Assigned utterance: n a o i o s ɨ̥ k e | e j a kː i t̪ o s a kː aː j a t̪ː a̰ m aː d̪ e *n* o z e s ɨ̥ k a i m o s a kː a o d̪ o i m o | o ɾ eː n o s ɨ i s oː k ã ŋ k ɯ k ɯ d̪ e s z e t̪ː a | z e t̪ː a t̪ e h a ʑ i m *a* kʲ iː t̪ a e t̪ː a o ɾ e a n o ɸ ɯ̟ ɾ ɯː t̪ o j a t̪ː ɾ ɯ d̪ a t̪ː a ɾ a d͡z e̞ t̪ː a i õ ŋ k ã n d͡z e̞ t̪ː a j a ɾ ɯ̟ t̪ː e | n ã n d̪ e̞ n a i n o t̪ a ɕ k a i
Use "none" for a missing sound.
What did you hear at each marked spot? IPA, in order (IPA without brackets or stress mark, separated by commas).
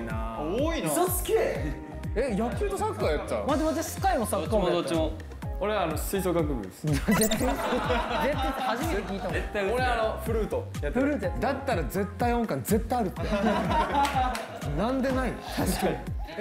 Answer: m, e